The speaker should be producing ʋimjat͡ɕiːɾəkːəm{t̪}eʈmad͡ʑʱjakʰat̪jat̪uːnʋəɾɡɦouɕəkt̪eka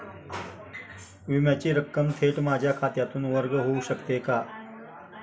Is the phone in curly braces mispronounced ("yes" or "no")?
yes